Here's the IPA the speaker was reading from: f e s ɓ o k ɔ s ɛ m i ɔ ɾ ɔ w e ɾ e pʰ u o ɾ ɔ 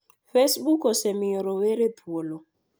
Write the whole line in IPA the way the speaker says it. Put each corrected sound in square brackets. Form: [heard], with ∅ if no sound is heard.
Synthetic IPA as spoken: f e s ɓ [u] k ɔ s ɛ m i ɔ ɾ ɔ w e ɾ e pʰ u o [l] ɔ